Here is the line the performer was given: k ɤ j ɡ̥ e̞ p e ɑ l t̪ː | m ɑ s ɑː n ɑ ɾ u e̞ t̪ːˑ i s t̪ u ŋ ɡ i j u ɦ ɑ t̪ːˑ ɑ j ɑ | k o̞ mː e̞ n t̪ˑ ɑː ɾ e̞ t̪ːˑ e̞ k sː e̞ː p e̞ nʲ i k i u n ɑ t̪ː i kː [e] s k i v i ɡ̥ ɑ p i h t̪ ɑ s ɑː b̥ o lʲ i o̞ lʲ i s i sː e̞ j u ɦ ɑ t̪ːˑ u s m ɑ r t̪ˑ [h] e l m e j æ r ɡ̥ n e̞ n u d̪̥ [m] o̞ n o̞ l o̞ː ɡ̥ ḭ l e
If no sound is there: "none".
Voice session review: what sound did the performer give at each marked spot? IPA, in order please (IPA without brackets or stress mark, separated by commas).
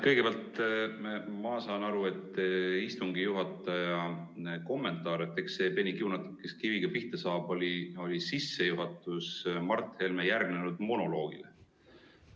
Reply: e, h, m